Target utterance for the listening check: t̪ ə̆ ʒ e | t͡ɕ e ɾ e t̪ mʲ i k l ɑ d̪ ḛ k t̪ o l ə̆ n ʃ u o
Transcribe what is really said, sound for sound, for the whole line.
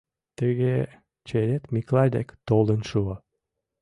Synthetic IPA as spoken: t̪ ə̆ ɣ e | t͡ɕ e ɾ e t̪ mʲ i k l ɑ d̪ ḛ k t̪ o l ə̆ n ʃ u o